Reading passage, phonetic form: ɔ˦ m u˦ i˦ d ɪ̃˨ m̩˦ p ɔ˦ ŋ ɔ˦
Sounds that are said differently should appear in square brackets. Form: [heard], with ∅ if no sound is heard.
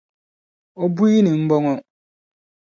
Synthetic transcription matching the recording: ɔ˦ [b] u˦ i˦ [n] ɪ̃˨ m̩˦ [b] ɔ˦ ŋ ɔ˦